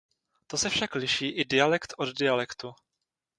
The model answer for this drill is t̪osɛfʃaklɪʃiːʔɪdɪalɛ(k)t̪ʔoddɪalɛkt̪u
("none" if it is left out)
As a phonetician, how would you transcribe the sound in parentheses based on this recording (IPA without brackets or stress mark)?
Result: k